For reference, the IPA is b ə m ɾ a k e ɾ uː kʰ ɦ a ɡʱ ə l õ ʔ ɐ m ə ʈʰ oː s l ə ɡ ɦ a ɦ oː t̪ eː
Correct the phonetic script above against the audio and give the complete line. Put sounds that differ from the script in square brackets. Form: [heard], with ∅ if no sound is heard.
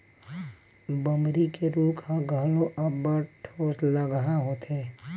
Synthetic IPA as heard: b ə m ɾ [i] k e ɾ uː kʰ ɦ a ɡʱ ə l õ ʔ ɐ [b] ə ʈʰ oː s l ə ɡ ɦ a ɦ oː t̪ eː